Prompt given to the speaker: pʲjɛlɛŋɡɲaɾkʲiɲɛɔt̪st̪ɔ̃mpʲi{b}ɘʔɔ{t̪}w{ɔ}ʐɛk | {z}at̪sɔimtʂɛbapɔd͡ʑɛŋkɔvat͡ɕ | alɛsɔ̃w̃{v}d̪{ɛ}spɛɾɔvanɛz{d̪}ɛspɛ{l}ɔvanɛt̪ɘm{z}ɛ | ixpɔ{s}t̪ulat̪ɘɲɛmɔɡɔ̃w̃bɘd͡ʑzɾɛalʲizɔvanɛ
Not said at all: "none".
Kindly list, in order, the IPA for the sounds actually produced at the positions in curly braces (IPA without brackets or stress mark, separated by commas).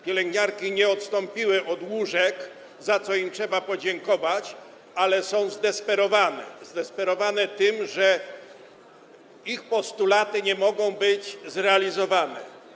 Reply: w, d̪, u, z, z, ɛ, d̪, ɾ, ʐ, s